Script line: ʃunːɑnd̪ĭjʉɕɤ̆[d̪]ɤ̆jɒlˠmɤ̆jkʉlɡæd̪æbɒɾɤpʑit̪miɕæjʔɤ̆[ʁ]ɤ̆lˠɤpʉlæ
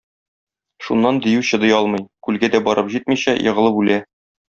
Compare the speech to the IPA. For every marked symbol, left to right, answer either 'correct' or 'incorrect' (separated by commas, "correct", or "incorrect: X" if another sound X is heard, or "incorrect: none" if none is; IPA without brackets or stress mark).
correct, correct